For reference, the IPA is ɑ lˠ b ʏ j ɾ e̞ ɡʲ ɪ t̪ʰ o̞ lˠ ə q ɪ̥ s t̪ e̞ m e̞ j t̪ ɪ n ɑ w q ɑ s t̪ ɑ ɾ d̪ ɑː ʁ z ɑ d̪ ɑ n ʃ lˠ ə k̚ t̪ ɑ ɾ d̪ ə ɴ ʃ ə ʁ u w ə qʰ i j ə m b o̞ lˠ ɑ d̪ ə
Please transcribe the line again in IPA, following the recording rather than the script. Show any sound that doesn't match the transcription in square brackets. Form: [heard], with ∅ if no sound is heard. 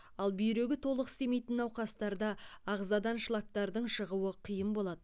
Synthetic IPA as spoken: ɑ lˠ b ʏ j ɾ e̞ ɡʲ ɪ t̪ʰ o̞ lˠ ə q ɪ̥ s t̪ e̞ m e̞ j t̪ ɪ n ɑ w q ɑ s t̪ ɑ ɾ d̪ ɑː ʁ z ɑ d̪ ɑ n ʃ lˠ [ɑ] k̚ t̪ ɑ ɾ d̪ ə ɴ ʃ ə ʁ u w ə qʰ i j ə m b o̞ lˠ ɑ d̪ ə

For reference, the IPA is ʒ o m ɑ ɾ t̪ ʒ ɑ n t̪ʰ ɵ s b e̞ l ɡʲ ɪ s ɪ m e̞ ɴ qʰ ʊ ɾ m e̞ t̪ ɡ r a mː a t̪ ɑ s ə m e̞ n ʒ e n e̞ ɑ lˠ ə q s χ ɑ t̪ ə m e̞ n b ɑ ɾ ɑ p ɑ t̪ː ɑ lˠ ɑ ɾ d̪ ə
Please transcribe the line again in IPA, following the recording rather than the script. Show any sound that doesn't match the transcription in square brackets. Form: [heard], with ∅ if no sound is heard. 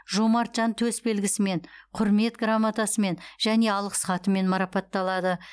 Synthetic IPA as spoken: ʒ o m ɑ ɾ t̪ ʒ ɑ n t̪ʰ ɵ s b e̞ l ɡʲ ɪ s ɪ m e̞ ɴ qʰ ʊ ɾ m e̞ t̪ ɡ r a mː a t̪ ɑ s ə m e̞ n ʒ [æ] n e̞ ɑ lˠ ə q s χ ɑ t̪ ə m e̞ n [m] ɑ ɾ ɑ p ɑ t̪ː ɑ lˠ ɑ [∅] d̪ ə

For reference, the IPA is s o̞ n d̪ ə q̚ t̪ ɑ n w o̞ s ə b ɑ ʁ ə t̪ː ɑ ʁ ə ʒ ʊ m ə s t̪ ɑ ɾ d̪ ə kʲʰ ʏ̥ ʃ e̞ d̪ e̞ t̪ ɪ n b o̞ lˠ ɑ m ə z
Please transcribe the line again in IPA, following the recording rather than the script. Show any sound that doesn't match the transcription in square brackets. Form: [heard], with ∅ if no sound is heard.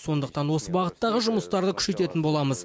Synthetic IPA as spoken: s o̞ n d̪ ə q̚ t̪ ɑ n w o̞ s ə b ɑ ʁ ə t̪ː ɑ ʁ ə ʒ ʊ m ə s t̪ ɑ ɾ d̪ ə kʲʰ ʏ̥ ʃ e̞ [t̪] e̞ t̪ ɪ n b o̞ lˠ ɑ m ə z

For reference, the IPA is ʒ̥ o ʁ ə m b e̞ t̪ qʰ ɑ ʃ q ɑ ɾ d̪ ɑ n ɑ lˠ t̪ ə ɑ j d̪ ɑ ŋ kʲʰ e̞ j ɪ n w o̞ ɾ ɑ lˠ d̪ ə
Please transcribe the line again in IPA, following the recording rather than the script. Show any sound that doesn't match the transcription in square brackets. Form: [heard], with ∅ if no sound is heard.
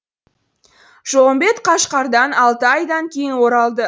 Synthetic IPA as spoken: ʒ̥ o ʁ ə m b e̞ t̪ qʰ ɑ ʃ q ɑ ɾ d̪ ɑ n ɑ lˠ t̪ ə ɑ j d̪ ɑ ŋ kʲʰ e̞ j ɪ n w o̞ ɾ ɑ lˠ d̪ ə

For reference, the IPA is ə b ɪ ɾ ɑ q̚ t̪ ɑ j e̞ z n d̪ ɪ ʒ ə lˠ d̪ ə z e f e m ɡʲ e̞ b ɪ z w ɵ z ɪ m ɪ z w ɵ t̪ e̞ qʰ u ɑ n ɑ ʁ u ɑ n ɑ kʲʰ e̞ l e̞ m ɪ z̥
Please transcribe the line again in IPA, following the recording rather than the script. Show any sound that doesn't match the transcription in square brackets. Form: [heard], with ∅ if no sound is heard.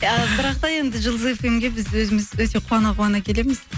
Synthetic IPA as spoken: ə b ɪ ɾ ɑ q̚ t̪ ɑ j e̞ [∅] n d̪ ɪ ʒ ə lˠ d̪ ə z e f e m ɡʲ e̞ b ɪ z w ɵ z ɪ m ɪ z w ɵ t̪ e̞ qʰ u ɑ n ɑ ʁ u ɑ n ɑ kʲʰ e̞ l e̞ m ɪ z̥

